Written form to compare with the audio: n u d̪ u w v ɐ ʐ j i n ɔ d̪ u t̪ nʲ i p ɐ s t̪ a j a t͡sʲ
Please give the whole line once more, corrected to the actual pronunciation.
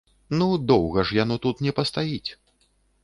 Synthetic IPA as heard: n u d̪ ɔ w ɣ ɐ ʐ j a n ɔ t̪ u t̪ nʲ ɛ p ɐ s t̪ a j i t͡sʲ